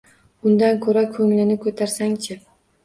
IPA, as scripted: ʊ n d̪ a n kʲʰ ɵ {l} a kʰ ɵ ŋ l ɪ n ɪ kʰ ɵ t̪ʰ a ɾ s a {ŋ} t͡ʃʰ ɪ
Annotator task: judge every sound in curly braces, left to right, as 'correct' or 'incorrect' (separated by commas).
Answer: incorrect, correct